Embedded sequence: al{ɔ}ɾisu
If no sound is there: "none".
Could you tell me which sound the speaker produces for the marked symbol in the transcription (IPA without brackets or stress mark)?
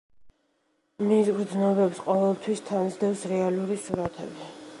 u